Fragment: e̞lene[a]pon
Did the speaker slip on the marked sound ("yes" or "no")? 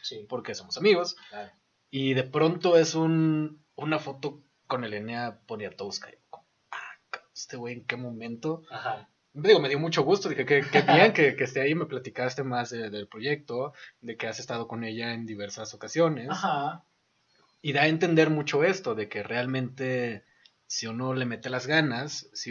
no